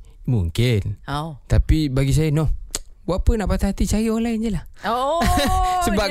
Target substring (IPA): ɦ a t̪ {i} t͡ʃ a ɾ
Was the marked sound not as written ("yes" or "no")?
no